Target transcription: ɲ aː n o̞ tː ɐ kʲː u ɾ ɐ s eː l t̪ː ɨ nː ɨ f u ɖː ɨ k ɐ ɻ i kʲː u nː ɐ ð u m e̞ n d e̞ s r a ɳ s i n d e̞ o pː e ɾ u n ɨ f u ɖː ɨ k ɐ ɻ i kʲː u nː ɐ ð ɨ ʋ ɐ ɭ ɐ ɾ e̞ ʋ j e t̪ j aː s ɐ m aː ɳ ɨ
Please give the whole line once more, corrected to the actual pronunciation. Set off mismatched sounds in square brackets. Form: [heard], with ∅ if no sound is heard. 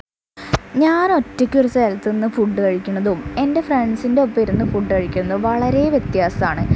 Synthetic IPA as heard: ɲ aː n o̞ tː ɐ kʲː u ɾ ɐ s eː l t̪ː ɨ nː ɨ f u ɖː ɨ k ɐ ɻ i kʲː u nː ɐ ð u m e̞ n d e̞ [f] r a ɳ s i n d e̞ o pː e ɾ u [nː] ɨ f u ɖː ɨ k ɐ ɻ i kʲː u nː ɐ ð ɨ ʋ ɐ ɭ ɐ ɾ e̞ ʋ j e t̪ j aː s ɐ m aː ɳ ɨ